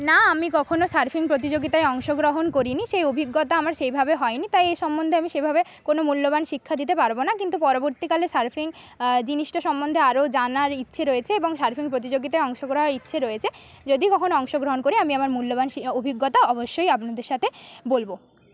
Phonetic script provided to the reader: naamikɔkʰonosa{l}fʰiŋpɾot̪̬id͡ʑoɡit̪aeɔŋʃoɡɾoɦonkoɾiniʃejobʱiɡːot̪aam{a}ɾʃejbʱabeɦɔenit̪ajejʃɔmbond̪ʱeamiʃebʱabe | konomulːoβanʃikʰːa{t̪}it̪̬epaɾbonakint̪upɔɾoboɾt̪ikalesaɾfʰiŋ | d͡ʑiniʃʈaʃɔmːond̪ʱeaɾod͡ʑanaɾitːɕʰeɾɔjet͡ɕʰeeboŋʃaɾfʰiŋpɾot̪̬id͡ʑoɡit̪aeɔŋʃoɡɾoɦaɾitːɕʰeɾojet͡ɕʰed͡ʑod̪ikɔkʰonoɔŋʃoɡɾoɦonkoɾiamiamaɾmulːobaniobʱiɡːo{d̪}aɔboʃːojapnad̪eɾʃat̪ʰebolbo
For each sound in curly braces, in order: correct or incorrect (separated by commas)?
incorrect, correct, incorrect, incorrect